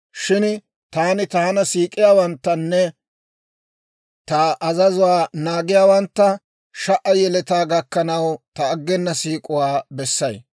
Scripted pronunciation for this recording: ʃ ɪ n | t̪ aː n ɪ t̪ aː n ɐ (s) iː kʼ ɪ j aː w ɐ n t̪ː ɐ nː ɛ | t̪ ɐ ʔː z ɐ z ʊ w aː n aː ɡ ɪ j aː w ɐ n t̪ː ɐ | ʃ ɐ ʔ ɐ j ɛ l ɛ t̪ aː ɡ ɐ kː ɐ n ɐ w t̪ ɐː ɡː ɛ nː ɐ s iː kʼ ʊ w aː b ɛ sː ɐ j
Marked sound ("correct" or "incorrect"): correct